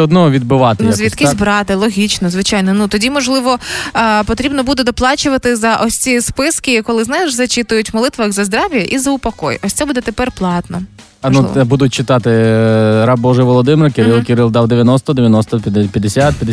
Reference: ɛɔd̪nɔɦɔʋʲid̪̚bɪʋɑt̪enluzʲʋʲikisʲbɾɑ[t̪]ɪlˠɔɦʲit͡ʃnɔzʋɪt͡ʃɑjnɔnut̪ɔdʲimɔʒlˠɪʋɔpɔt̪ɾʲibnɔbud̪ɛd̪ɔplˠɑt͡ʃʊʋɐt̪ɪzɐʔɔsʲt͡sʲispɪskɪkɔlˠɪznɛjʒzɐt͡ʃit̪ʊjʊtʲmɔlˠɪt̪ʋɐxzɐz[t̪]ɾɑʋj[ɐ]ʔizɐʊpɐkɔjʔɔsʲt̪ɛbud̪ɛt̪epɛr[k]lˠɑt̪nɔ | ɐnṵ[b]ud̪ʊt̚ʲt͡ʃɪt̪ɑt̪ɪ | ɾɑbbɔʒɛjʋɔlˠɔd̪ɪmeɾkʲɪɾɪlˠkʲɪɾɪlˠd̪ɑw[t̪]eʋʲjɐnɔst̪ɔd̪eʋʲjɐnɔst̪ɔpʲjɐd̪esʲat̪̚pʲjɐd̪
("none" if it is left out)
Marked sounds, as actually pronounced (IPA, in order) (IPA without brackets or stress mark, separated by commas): t̪, d̪, ɐ, p, b, d̪